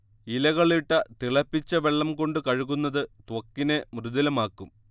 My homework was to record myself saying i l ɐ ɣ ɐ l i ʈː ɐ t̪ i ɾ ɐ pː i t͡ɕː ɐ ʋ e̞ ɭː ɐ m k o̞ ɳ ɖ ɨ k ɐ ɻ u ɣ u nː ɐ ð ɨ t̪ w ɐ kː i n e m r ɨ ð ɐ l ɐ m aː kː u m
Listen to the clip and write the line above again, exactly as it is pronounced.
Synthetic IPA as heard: i l ɐ ɣ ɐ ɭ i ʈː ɐ t̪ i ɭ ɐ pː i t͡ɕː ɐ ʋ e̞ ɭː ɐ m k o̞ ɳ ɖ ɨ k ɐ ɻ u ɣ u nː ɐ ð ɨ t̪ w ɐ kː i n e m r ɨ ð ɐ l ɐ m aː kː u m

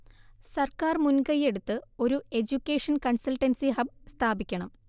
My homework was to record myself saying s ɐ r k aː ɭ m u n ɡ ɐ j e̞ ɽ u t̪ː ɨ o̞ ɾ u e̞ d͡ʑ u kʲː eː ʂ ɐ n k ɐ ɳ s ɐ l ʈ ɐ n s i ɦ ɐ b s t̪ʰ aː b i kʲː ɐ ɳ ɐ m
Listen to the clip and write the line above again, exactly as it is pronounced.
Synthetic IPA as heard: s ɐ r k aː r m u n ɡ ɐ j e̞ ɽ u t̪ː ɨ o̞ ɾ u e̞ d͡ʑ u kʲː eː ʂ ɐ n k ɐ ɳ s ɐ l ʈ ɐ n s i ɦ ɐ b s t̪ʰ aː b i kʲː ɐ ɳ ɐ m

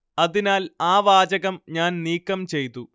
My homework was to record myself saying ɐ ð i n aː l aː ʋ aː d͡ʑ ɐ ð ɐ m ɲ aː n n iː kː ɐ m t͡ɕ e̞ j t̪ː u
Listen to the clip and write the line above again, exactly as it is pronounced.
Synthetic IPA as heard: ɐ ð i n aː l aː ʋ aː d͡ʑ ɐ ɣ ɐ m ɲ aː n n iː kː ɐ m t͡ɕ e̞ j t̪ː u

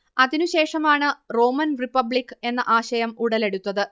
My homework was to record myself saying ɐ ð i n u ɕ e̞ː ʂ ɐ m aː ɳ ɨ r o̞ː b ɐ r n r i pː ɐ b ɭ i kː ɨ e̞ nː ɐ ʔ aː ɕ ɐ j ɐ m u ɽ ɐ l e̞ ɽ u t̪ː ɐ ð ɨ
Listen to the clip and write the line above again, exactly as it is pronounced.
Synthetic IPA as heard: ɐ ð i n u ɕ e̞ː ʂ ɐ m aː ɳ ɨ r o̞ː m ɐ n r i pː ɐ b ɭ i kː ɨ e̞ nː ɐ ʔ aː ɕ ɐ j ɐ m u ɽ ɐ l e̞ ɽ u t̪ː ɐ ð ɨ

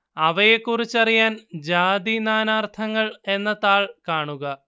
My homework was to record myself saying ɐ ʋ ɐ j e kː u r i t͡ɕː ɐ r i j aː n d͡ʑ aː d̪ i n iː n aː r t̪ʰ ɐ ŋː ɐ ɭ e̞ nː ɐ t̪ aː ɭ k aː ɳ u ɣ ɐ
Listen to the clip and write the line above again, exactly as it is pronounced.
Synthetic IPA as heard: ɐ ʋ ɐ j e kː u r i t͡ɕː ɐ r i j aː n d͡ʑ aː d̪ i n aː n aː r t̪ʰ ɐ ŋː ɐ ɭ e̞ nː ɐ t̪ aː ɭ k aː ɳ u ɣ ɐ

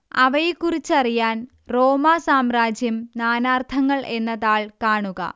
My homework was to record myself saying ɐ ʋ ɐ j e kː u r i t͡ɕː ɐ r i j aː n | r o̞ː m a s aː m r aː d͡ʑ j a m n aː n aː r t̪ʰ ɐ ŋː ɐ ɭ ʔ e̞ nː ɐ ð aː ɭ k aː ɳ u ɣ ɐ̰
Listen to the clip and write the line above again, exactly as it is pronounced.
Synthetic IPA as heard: ɐ ʋ ɐ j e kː u r i t͡ɕː ɐ r i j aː n | r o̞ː m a s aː m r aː d͡ʑ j ɐ m n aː n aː r t̪ʰ ɐ ŋː ɐ ɭ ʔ e̞ nː ɐ ð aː ɭ k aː ɳ u ɣ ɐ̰

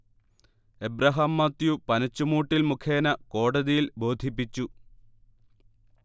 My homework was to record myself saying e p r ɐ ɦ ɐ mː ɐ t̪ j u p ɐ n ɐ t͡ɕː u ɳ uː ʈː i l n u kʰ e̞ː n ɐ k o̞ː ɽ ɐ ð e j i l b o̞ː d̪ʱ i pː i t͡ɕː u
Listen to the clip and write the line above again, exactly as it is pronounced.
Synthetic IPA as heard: e b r ɐ ɦ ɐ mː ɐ t̪ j u p ɐ n ɐ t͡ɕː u m uː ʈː i l m u kʰ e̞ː n ɐ k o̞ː ɽ ɐ ð i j i l b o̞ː d̪ʱ i pː i t͡ɕː u

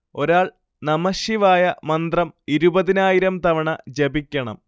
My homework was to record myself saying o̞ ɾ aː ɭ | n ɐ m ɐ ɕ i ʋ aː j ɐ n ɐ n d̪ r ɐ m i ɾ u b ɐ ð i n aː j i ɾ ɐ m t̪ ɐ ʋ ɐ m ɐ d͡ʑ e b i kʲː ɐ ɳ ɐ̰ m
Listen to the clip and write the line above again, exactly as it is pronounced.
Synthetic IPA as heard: o̞ ɾ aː ɭ | n ɐ m ɐ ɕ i ʋ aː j ɐ m ɐ n d̪ r ɐ m i ɾ u b ɐ ð i n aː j i ɾ ɐ m t̪ ɐ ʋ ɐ ɳ ɐ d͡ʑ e b i kʲː ɐ ɳ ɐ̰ m

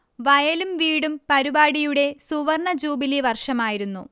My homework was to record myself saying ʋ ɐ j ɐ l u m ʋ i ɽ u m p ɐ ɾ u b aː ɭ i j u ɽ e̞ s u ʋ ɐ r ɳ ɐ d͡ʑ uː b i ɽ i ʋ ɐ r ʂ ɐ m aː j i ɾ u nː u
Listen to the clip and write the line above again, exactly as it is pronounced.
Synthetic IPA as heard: ʋ ɐ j ɐ l u m ʋ iː ɽ u m p ɐ ɾ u b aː ɽ i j u ɽ e̞ s u ʋ ɐ r ɳ ɐ d͡ʑ uː b i l i ʋ ɐ r ʂ ɐ m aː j i ɾ u nː u

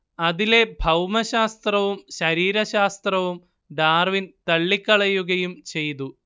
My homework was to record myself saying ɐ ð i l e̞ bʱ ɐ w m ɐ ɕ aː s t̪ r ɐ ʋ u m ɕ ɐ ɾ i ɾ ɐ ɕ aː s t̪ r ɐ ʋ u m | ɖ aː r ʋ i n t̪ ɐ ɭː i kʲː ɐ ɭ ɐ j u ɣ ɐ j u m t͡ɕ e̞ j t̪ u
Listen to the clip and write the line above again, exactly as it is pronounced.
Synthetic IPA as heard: ɐ ð i l e̞ bʱ ɐ w m ɐ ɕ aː s t̪ r ɐ ʋ u m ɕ ɐ ɾ iː ɾ ɐ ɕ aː s t̪ r ɐ ʋ u m | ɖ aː r ʋ i n t̪ ɐ ɭː i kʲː ɐ ɭ ɐ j u ɣ ɐ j u m t͡ɕ e̞ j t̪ u

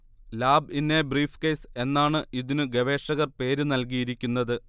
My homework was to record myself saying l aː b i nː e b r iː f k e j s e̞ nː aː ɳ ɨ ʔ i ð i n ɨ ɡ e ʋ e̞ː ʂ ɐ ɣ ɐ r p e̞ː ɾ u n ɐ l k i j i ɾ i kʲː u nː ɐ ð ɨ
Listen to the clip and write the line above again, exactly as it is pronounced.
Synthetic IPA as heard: l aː b i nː e b r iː f k e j s e̞ nː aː ɳ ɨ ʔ i ð i n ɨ ɡ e ʋ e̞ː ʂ ɐ ɣ ɐ r p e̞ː ɾ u n ɐ l k i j i ɾ i kʲː u nː ɐ ð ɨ

